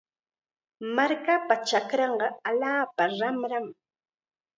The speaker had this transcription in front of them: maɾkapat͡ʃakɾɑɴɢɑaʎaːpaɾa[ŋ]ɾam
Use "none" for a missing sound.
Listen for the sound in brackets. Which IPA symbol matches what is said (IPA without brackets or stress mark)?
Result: m